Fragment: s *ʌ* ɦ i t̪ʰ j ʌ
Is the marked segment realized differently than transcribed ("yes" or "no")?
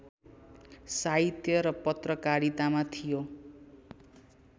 yes